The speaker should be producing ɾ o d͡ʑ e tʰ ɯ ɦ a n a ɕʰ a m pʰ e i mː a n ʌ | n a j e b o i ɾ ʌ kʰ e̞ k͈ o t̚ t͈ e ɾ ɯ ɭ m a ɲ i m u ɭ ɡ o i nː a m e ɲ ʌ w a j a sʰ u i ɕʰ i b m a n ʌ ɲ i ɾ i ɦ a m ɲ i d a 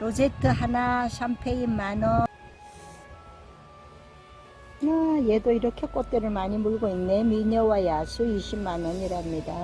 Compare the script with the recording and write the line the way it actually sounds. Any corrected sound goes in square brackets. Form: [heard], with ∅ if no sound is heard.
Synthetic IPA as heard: ɾ o d͡ʑ e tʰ ɯ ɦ a n a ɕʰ a m pʰ e i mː a n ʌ | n a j e [d] o i ɾ ʌ kʰ e̞ k͈ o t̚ t͈ e ɾ ɯ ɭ m a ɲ i m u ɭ ɡ o i nː [e] m [i] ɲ ʌ w a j a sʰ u i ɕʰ i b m a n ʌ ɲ i ɾ [a] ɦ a m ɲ i d a